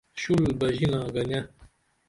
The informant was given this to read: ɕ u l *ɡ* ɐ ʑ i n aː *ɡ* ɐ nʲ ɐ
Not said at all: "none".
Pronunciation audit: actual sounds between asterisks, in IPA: b, ɡ

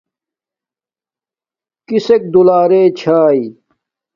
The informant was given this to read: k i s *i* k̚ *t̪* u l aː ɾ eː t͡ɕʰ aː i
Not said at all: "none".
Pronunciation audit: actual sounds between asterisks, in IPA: e, d̪

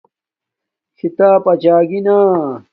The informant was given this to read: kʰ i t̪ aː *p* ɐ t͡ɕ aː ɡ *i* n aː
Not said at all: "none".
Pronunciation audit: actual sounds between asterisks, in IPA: p, i

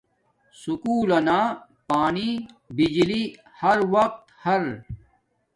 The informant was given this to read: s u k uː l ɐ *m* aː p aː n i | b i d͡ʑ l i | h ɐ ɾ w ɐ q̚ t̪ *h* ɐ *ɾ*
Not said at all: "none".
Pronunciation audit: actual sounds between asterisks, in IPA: n, h, ɾ

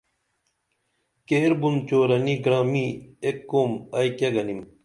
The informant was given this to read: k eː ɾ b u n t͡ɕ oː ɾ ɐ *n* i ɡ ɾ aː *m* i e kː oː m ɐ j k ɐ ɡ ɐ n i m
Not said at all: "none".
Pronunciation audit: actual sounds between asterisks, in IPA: n, m

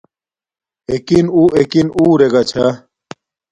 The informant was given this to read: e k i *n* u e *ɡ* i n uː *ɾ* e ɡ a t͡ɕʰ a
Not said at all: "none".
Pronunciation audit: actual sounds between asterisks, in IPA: n, k, ɾ

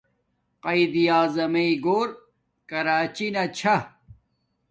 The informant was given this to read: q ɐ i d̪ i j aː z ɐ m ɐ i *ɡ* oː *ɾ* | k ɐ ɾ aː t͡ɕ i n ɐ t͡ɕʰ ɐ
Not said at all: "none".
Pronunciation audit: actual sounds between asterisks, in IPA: ɡ, ɾ

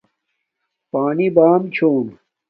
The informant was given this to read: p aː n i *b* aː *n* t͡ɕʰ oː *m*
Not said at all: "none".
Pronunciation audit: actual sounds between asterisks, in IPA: b, m, n

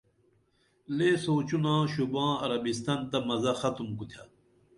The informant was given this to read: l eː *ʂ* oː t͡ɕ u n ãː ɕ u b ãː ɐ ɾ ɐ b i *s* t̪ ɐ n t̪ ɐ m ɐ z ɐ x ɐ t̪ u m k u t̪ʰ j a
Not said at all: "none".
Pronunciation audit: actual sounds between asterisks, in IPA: s, s

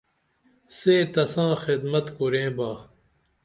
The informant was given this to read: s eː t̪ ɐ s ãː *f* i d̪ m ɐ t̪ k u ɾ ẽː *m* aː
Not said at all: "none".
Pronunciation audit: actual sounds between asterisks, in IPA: x, b

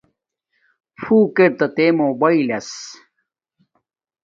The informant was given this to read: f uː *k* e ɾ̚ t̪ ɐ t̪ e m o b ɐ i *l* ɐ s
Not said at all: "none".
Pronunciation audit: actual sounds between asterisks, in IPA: k, l

